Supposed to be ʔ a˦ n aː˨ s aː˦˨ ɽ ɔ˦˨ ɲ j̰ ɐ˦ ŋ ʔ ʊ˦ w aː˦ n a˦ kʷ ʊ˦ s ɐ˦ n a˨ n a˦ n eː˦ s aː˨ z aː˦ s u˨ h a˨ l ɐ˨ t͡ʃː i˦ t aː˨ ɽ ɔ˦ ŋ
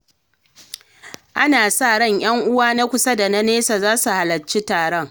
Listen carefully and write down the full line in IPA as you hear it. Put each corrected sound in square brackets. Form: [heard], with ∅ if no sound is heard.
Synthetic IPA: ʔ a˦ n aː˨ s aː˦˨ ɽ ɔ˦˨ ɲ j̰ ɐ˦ ŋ ʔ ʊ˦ w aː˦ n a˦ kʷ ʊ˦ s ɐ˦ [d] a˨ n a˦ n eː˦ s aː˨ z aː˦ s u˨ h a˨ l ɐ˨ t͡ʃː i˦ t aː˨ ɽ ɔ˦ ŋ